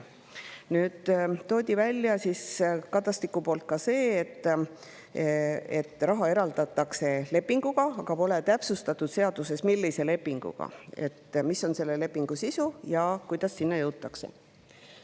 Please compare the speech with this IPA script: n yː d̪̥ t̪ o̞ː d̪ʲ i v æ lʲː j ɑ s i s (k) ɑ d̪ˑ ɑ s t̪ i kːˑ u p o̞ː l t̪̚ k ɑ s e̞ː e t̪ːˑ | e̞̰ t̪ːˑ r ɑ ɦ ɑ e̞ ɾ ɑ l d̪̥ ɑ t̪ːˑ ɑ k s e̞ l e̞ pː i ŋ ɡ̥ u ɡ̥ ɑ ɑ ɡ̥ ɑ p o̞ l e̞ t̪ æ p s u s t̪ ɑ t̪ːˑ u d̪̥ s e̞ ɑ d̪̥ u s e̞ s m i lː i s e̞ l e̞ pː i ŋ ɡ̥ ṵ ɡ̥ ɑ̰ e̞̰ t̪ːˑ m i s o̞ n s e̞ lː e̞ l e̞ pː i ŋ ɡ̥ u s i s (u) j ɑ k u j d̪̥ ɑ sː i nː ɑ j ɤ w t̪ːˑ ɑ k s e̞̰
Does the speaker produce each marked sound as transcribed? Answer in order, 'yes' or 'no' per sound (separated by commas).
yes, yes